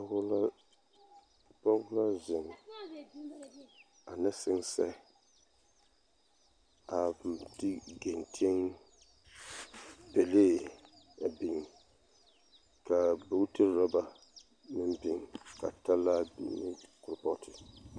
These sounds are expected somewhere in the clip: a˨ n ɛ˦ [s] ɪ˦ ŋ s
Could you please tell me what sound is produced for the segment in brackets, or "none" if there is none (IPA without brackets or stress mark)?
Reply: s